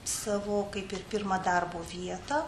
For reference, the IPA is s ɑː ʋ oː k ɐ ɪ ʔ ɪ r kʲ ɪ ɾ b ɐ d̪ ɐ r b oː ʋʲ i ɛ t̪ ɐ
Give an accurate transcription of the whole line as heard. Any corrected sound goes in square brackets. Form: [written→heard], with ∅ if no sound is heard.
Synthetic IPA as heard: s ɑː ʋ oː k ɐ ɪ [ʔ→p] ɪ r [kʲ→pʲ] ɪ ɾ [b→m] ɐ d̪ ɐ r b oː ʋʲ i ɛ t̪ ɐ